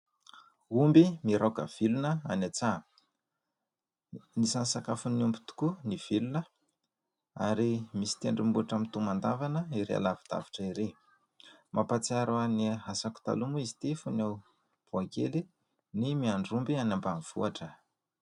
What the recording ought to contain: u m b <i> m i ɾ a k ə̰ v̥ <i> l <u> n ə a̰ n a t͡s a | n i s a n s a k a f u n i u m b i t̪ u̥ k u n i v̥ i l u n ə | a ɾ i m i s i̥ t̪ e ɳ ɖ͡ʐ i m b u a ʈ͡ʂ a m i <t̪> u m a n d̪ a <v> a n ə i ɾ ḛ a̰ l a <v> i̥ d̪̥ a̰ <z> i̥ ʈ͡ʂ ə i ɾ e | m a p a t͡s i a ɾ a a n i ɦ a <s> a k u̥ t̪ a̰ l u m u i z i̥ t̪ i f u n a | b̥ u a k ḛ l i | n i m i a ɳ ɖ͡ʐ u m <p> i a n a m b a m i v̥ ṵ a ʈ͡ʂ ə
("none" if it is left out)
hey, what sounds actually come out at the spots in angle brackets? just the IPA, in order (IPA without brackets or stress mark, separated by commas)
i, i, u, t̪, v, v, v, s, b